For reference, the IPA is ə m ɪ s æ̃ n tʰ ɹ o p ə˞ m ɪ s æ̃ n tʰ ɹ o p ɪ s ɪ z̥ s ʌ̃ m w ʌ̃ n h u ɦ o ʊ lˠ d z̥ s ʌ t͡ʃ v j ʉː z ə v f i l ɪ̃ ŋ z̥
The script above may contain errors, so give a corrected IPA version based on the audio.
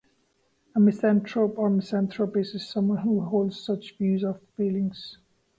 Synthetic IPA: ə m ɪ s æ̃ n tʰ ɹ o p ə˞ m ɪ s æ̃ n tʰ ɹ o p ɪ s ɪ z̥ s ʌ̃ m w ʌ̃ n h u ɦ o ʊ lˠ d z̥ s ʌ t͡ʃ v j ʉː z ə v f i l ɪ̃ ŋ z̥